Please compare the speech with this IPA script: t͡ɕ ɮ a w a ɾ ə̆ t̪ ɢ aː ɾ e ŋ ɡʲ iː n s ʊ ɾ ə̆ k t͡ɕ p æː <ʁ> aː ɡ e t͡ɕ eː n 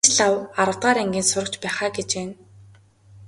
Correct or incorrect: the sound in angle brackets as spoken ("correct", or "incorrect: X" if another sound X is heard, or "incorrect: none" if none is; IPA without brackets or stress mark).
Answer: incorrect: χ